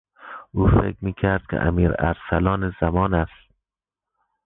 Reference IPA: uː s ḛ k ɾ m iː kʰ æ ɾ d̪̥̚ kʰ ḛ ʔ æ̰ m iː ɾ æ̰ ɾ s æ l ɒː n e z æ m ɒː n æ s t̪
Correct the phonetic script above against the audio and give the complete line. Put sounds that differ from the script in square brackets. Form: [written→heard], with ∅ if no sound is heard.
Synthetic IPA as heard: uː [s→f] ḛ k ɾ m iː kʰ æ ɾ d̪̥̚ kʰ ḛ ʔ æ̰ m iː ɾ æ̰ ɾ s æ l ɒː n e z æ m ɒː n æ s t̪